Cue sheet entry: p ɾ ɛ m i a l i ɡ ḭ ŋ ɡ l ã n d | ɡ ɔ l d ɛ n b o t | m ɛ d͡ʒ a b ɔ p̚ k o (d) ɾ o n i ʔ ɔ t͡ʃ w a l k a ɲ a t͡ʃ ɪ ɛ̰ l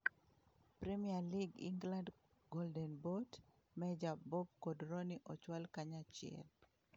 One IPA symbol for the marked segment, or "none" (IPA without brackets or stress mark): d